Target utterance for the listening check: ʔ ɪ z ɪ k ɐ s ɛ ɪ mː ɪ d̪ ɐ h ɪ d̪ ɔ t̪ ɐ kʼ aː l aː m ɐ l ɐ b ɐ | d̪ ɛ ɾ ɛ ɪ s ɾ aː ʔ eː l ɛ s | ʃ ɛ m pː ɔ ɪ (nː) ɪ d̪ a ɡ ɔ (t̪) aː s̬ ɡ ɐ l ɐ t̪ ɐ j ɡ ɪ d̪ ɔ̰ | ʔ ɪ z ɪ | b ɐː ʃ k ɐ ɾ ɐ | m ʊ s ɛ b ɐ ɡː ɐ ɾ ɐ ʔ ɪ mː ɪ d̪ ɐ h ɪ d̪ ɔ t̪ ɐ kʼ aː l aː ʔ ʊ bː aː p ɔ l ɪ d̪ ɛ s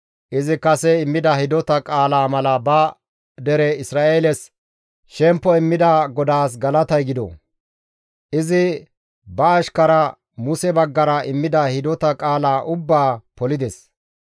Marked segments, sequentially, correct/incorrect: incorrect: mː, incorrect: d̪

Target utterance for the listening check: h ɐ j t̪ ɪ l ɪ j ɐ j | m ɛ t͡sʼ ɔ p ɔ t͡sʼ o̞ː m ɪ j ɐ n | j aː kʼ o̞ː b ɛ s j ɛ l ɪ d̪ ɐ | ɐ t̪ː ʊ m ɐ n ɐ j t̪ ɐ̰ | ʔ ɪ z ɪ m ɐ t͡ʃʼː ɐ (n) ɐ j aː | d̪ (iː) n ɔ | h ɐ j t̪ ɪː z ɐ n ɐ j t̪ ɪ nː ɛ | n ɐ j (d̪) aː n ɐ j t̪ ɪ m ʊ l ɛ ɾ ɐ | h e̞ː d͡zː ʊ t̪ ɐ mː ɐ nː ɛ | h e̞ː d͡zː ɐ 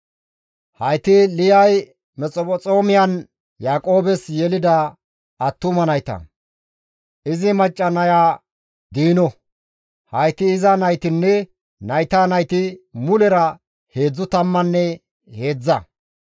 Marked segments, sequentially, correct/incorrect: correct, correct, incorrect: t̪

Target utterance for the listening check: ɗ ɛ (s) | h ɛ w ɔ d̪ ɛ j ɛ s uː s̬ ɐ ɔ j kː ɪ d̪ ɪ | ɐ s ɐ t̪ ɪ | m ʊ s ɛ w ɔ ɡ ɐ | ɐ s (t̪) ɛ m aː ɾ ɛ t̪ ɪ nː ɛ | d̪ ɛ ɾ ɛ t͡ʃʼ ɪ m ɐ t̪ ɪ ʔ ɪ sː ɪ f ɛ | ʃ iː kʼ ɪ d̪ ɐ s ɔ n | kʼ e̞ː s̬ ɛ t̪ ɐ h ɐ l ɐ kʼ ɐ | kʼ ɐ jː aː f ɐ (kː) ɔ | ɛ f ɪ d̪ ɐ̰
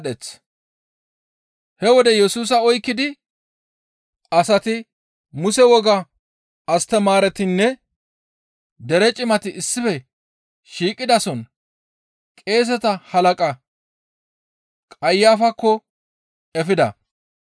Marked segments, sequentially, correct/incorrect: incorrect: t͡s, correct, correct

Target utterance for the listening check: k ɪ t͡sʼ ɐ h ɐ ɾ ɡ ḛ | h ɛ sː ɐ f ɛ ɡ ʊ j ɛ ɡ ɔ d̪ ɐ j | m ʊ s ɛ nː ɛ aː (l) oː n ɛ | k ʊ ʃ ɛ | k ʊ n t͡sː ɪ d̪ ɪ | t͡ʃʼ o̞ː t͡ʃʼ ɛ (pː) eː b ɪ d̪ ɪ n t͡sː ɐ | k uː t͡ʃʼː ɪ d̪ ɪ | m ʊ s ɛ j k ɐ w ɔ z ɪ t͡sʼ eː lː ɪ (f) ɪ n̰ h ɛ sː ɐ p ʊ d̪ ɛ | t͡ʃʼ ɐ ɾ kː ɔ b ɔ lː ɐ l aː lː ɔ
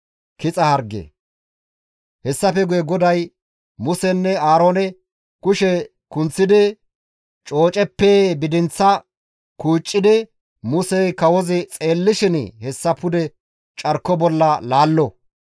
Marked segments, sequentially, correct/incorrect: incorrect: ɾ, correct, incorrect: ʃ

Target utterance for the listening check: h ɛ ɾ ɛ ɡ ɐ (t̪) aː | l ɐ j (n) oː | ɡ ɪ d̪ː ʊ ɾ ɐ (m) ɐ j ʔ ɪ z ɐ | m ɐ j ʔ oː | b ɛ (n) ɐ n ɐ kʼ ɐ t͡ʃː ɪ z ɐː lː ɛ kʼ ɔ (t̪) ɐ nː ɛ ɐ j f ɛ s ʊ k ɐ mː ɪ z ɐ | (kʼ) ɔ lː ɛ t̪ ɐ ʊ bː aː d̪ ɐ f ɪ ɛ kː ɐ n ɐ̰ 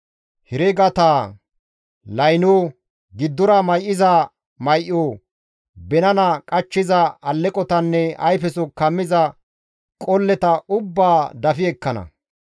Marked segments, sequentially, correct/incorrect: correct, correct, correct, correct, correct, correct

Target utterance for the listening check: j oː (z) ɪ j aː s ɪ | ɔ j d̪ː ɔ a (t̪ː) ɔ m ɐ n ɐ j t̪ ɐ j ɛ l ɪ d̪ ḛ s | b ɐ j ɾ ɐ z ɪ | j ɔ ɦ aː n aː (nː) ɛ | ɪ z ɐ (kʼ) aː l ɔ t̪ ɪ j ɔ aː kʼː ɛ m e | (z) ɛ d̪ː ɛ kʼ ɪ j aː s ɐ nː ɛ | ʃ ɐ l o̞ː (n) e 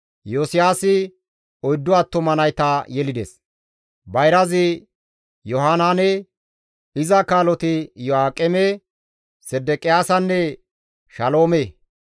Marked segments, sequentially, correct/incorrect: incorrect: s, correct, incorrect: n, incorrect: k, incorrect: s, incorrect: m

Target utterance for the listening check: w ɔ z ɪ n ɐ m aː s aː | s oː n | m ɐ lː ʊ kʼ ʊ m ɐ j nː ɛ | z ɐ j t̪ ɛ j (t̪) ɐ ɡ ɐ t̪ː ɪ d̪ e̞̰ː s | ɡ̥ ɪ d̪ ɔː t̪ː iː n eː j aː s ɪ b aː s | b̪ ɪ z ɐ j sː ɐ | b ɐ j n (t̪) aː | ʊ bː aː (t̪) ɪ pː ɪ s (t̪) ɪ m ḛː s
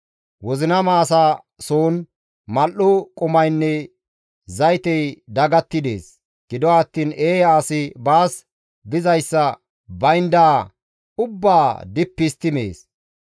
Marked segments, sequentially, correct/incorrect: incorrect: d̪, incorrect: d̪, incorrect: d̪, correct

